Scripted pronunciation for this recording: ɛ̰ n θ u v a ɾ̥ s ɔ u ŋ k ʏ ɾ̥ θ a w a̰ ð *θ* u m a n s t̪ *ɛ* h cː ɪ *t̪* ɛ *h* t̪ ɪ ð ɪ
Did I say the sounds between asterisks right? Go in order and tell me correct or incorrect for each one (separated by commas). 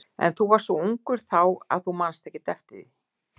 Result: correct, correct, correct, incorrect